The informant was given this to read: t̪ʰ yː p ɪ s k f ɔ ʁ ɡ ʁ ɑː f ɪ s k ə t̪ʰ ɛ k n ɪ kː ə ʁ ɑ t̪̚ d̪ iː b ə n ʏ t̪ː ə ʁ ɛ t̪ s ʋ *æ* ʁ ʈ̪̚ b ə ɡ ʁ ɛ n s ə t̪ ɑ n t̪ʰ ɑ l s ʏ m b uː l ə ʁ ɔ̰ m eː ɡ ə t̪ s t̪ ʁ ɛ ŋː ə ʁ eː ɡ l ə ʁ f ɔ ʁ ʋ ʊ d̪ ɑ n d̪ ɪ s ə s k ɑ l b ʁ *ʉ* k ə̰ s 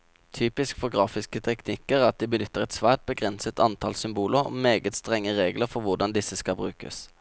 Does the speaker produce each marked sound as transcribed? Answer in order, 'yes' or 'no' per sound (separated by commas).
no, no